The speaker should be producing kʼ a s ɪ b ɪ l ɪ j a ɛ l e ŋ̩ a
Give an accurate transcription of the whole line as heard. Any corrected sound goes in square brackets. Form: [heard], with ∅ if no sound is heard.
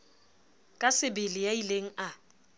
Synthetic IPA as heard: kʼ a s ɪ b ɪ l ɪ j a [i] l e ŋ̩ a

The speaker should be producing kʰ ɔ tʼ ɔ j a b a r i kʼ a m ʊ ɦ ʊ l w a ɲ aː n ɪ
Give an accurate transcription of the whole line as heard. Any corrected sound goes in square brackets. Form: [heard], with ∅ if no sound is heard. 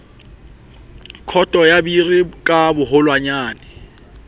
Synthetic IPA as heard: kʰ ɔ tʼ ɔ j a b [i] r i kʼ a [b] ʊ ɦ ʊ l w a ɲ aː n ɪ

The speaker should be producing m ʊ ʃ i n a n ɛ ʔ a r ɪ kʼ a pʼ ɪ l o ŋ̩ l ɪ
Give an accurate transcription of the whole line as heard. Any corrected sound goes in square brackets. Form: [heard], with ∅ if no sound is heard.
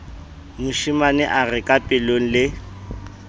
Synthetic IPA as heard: m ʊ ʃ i [m] a n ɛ ʔ a r ɪ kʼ a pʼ ɪ l o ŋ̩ l ɪ

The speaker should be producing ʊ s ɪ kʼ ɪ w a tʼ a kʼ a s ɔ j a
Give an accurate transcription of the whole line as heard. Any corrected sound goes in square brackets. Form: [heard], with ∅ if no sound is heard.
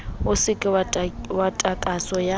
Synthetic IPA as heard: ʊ s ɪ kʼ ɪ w a tʼ a kʼ a s ɔ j a

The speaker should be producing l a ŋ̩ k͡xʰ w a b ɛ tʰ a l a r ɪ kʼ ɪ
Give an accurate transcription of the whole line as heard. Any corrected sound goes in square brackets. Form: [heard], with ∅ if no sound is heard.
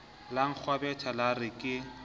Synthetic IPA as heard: l a ŋ̩ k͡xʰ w a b ɛ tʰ a l a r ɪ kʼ ɪ

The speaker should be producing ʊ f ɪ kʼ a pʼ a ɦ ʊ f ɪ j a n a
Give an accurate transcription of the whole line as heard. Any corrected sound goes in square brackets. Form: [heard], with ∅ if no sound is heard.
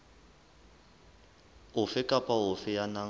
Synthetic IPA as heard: ʊ f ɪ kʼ a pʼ a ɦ ʊ f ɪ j a n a

